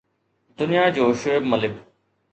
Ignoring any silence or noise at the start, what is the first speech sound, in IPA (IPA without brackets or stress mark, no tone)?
d̪